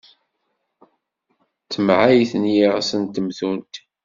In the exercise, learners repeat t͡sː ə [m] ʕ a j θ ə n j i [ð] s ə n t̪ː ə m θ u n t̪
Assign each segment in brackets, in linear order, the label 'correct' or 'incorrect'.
correct, incorrect

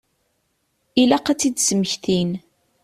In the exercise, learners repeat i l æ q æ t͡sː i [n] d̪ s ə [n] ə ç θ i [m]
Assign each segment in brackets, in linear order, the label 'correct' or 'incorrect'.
incorrect, incorrect, incorrect

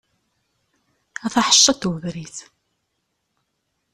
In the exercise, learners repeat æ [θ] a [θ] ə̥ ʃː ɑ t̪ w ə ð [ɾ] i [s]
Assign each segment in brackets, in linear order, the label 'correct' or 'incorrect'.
correct, incorrect, correct, incorrect

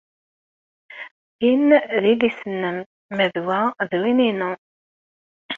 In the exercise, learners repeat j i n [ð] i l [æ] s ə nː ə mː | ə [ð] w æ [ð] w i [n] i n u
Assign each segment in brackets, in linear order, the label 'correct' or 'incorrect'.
correct, incorrect, correct, correct, correct

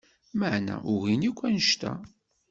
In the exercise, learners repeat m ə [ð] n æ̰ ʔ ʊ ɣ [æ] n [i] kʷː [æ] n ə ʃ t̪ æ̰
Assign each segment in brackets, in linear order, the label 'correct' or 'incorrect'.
incorrect, incorrect, correct, correct

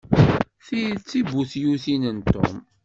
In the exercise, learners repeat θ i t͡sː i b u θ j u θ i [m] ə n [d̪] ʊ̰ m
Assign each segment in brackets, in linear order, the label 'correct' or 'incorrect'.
incorrect, incorrect

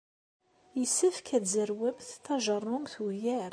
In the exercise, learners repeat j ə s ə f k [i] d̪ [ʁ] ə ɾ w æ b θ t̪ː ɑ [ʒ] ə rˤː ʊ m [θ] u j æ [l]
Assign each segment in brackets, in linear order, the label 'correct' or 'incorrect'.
incorrect, incorrect, correct, correct, incorrect

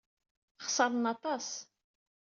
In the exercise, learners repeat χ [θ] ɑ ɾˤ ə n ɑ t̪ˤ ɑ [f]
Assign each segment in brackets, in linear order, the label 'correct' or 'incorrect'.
incorrect, incorrect

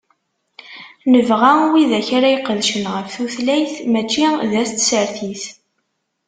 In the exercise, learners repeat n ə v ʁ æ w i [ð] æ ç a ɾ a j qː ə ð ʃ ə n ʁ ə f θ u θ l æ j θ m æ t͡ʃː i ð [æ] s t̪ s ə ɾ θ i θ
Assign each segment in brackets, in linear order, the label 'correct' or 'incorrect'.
correct, correct

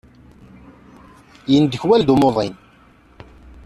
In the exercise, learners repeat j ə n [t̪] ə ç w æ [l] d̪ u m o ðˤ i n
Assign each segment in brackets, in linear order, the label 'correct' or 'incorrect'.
incorrect, correct

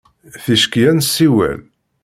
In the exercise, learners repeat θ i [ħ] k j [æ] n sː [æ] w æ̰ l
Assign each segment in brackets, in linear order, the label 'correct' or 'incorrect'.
incorrect, correct, incorrect

